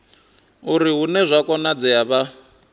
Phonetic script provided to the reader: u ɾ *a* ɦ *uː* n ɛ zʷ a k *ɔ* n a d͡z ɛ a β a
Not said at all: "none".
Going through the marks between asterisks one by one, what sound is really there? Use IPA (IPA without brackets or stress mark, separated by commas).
i, u, ɔ